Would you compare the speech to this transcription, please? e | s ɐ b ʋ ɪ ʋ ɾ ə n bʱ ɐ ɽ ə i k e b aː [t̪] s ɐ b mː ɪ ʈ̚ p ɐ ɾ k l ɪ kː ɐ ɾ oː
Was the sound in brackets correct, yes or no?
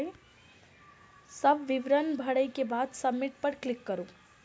no